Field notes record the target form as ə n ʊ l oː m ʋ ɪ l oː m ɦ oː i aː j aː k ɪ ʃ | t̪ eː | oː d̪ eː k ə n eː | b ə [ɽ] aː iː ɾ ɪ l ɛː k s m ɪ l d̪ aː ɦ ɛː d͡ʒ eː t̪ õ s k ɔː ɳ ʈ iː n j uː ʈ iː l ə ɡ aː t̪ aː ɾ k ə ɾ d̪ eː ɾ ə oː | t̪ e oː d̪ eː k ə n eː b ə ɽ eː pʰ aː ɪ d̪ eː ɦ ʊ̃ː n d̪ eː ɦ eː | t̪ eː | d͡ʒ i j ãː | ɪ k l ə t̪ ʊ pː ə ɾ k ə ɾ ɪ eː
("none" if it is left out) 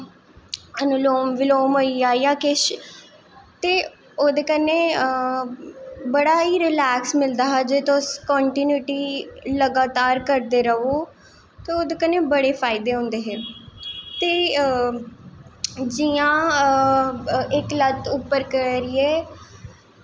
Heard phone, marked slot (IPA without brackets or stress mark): ɽ